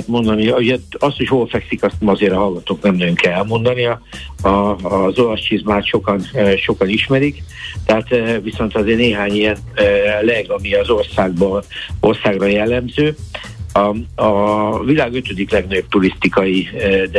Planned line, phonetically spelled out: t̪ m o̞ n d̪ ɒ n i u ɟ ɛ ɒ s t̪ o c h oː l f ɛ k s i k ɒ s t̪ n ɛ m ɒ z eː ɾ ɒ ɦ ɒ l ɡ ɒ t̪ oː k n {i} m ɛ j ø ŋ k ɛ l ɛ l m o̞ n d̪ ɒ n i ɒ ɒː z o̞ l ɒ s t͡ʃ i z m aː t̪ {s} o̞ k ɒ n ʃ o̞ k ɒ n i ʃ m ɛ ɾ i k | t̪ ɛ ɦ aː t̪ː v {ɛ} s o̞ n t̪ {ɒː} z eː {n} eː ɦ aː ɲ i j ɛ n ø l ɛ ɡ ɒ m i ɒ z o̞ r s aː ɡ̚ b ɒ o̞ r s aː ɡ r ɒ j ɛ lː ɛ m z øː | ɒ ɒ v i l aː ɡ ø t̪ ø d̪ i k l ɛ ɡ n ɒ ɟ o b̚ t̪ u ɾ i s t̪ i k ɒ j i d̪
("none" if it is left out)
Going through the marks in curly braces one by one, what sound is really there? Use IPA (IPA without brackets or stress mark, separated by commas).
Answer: ɛ, ʃ, i, ɒ, n